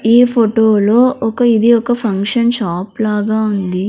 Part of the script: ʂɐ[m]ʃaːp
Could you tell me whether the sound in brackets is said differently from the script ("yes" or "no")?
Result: yes